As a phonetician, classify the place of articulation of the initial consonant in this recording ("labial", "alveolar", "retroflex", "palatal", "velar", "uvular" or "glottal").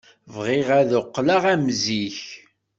labial